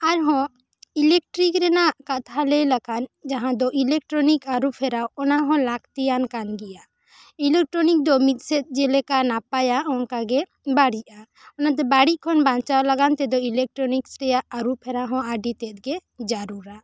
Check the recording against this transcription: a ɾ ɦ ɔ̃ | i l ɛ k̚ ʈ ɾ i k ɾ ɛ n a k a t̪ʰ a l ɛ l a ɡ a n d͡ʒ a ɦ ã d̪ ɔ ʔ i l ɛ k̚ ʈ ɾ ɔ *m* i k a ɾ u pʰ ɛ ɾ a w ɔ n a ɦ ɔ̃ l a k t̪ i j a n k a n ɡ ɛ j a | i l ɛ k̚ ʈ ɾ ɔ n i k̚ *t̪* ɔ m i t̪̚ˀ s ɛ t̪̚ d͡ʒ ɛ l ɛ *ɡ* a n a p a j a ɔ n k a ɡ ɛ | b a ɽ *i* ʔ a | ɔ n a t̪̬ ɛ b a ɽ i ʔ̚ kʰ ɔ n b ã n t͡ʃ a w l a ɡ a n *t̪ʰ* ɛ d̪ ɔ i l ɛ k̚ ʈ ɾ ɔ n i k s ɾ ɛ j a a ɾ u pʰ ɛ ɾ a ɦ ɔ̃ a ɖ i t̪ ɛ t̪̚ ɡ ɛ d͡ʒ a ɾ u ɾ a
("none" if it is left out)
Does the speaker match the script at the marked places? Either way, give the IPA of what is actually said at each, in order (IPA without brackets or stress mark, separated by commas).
n, d̪, k, i, t̪